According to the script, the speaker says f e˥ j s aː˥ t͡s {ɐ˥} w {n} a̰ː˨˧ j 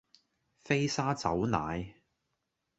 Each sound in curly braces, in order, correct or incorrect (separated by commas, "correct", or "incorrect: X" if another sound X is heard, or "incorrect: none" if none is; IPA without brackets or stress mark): incorrect: ɐ˨˥, correct